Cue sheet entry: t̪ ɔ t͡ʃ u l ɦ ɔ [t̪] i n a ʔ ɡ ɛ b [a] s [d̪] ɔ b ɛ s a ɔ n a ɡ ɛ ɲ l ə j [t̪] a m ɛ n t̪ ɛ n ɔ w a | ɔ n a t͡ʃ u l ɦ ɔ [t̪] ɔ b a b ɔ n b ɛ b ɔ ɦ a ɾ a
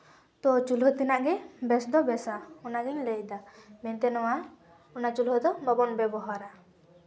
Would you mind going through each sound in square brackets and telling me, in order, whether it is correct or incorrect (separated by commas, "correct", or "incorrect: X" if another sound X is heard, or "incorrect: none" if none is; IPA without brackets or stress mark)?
correct, incorrect: ɛ, correct, incorrect: d̪, incorrect: d̪